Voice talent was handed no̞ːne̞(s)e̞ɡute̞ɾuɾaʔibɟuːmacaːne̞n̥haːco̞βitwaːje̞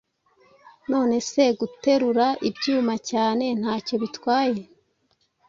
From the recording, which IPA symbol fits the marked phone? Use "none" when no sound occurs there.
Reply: s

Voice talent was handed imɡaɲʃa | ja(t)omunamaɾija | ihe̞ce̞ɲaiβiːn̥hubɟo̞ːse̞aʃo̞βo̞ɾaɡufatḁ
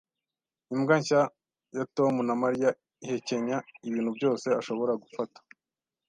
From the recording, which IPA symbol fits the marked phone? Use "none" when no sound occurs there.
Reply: t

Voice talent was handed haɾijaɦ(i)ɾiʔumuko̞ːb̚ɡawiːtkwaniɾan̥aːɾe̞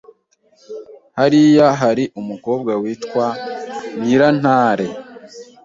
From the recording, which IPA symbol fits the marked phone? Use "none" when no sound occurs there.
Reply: a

